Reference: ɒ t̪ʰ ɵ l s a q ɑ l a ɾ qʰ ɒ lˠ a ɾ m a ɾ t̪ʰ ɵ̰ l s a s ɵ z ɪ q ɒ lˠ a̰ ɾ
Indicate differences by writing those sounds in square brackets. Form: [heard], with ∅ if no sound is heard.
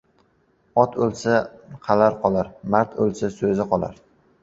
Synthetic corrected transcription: ɒ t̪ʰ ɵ l s a [qʰ] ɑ l a ɾ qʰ ɒ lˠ a ɾ m a ɾ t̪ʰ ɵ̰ l s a s ɵ z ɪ q ɒ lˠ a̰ ɾ